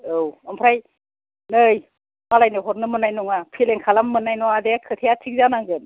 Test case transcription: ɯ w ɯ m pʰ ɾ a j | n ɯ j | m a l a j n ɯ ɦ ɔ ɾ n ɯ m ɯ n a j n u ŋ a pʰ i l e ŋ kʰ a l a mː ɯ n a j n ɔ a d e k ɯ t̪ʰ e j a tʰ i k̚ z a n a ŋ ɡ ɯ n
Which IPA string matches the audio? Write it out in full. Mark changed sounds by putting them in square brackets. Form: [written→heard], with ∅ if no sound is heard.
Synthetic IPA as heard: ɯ w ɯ m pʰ ɾ a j | n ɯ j | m a l a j n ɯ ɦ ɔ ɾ n ɯ m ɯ n a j n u ŋ a pʰ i l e ŋ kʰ a l a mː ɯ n a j n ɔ a d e [k→kʰ] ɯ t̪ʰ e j a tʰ i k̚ z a n a ŋ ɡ ɯ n